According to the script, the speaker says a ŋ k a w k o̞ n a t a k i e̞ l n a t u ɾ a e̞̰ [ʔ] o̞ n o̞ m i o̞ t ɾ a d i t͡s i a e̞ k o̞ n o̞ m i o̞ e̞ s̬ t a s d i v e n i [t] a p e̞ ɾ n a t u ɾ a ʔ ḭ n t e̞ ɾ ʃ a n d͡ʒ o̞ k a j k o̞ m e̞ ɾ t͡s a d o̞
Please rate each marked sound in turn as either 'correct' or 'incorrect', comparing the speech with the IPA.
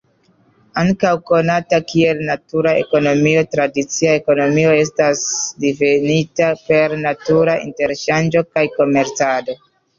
incorrect: k, correct

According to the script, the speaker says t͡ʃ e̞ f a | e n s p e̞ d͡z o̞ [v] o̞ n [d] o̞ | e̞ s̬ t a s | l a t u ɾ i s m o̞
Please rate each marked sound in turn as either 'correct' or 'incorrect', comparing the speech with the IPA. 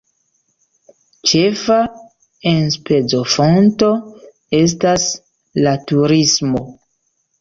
incorrect: f, incorrect: t

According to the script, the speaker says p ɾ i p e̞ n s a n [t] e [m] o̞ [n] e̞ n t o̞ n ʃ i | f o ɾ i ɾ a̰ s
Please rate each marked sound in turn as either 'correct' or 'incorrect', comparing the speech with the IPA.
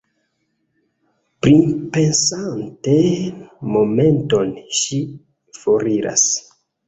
correct, correct, incorrect: m

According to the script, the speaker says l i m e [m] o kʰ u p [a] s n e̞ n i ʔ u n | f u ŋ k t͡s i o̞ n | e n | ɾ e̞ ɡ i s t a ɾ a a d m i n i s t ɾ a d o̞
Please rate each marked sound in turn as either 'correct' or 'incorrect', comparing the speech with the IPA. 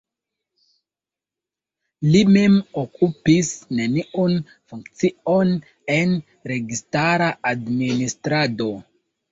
correct, incorrect: i

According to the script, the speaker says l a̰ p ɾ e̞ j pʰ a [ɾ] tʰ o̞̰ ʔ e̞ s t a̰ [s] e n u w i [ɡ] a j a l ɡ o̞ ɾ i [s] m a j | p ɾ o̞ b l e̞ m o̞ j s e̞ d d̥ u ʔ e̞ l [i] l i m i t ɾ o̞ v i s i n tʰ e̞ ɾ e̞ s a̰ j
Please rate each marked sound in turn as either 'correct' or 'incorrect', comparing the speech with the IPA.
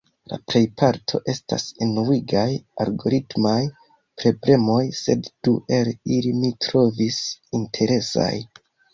correct, correct, correct, incorrect: t, correct

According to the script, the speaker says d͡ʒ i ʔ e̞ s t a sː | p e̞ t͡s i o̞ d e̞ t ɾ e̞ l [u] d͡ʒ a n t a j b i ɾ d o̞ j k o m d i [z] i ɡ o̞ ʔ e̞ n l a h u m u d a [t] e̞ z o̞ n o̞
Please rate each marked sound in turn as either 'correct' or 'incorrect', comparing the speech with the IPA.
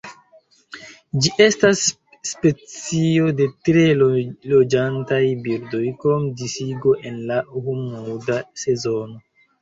incorrect: o, incorrect: s, incorrect: s

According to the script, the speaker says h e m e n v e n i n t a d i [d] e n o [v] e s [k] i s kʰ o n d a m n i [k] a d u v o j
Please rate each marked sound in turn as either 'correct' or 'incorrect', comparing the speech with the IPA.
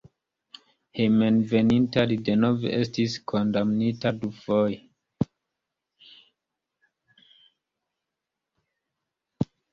correct, correct, incorrect: t, incorrect: t

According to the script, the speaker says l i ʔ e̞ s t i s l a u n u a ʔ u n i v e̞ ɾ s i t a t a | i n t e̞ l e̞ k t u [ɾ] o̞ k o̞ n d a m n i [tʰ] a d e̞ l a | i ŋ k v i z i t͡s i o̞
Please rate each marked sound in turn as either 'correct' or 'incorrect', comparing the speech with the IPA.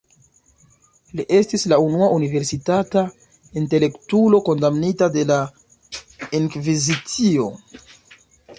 incorrect: l, incorrect: t

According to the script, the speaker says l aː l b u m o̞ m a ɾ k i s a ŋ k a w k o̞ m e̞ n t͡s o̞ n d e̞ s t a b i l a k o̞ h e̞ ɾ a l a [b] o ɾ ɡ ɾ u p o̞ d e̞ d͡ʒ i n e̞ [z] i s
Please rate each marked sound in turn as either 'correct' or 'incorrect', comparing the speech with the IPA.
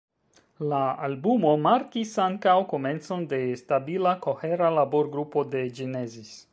correct, correct

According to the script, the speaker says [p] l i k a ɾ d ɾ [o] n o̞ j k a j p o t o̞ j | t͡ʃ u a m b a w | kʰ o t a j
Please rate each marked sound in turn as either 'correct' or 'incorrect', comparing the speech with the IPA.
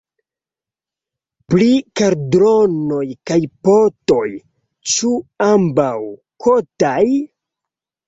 correct, correct

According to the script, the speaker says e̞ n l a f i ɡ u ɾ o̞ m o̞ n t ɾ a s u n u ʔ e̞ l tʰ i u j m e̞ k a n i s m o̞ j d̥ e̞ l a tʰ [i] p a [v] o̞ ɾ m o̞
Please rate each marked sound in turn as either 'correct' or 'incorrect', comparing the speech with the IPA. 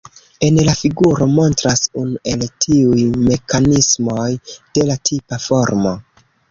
correct, incorrect: f

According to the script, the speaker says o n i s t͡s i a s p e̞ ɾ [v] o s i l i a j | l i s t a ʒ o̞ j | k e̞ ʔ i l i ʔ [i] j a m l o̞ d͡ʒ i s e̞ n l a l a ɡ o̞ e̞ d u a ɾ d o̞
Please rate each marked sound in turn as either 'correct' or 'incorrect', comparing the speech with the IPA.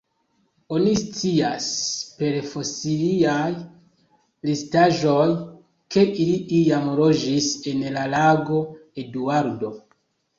incorrect: f, correct

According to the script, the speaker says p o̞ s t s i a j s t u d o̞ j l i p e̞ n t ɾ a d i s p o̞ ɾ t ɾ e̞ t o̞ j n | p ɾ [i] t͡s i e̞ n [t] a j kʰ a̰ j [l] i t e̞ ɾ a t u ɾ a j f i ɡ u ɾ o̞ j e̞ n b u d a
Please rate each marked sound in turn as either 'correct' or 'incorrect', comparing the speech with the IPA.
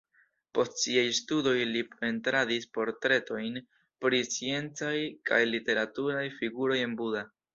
correct, incorrect: t͡s, correct

